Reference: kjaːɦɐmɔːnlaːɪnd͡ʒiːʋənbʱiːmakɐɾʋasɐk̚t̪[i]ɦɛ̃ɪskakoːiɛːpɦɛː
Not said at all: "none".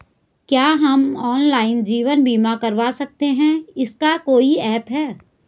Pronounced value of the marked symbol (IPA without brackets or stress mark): e